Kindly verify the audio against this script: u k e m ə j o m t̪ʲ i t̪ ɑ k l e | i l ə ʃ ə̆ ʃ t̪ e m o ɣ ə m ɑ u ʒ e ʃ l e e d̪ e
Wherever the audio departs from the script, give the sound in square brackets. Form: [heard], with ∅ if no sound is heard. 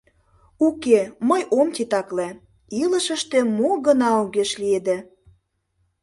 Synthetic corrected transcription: u k e m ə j o m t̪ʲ i t̪ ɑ k l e | i l ə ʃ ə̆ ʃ t̪ e m o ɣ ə [n] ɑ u [ɣ] e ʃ l [i] e d̪ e